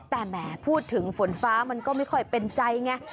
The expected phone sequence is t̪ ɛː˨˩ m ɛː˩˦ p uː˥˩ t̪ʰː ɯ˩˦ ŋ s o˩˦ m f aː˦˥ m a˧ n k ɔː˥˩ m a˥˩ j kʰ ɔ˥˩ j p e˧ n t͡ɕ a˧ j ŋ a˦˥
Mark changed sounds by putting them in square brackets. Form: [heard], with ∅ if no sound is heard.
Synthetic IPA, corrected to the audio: t̪ ɛː˨˩ m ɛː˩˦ [pʰ] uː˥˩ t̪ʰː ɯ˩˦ ŋ [f] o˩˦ [n] f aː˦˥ m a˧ n k ɔː˥˩ m a˥˩ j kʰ ɔ˥˩ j p e˧ n t͡ɕ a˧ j ŋ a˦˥